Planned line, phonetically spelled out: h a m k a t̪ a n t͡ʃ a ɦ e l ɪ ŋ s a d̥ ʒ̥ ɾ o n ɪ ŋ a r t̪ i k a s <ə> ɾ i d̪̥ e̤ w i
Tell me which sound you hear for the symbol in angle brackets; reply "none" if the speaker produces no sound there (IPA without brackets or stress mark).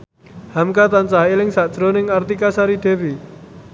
a